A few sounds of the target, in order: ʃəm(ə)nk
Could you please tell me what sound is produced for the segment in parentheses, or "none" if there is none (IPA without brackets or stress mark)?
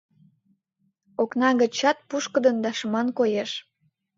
ɑ